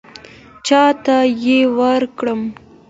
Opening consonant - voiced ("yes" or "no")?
no